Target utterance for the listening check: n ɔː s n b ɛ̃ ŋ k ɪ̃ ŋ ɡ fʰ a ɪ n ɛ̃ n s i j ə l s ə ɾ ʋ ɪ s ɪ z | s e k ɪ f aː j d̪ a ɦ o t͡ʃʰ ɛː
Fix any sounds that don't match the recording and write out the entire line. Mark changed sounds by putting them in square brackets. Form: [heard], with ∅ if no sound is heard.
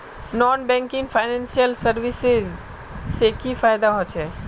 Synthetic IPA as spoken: n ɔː [∅] n b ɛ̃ ŋ k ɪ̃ ŋ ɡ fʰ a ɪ n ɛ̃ n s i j ə l s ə ɾ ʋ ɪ s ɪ z | s e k [i] f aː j d̪ a ɦ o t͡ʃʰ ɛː